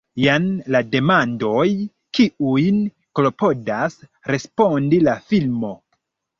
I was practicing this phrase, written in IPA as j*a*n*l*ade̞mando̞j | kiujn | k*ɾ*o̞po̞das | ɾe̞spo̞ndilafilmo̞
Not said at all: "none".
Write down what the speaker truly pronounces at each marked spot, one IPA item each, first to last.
a, l, l

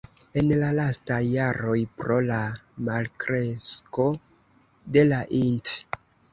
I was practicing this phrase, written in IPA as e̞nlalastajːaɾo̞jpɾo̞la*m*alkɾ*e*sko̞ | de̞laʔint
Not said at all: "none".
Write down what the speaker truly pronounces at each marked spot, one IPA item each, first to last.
m, e

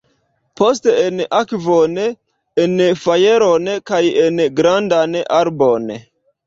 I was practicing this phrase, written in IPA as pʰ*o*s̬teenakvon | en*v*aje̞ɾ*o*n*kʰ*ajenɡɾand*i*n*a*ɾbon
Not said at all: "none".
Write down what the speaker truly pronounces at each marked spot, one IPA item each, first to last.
o, f, o, k, a, a

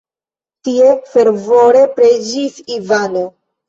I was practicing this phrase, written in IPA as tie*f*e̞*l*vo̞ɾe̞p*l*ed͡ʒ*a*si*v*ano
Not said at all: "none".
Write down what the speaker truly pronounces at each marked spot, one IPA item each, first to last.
f, ɾ, ɾ, i, v

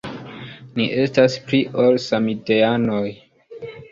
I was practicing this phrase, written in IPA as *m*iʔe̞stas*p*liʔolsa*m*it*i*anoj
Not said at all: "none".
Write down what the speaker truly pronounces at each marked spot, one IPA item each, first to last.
n, p, m, e

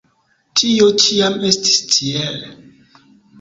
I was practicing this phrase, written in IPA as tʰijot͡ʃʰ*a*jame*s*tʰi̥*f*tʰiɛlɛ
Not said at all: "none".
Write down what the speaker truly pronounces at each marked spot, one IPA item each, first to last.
i, s, s

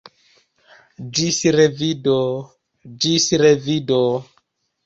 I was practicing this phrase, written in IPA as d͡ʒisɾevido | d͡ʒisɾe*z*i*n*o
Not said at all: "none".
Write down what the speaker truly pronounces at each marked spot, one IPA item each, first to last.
v, d

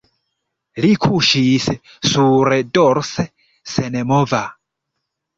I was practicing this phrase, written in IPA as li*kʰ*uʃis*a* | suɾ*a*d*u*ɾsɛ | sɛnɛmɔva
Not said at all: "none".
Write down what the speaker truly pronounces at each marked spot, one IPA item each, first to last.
kʰ, ɛ, ɛ, ɔ

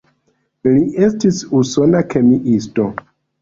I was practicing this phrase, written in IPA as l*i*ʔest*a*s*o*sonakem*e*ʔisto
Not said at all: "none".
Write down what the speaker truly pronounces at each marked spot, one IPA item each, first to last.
i, i, u, i

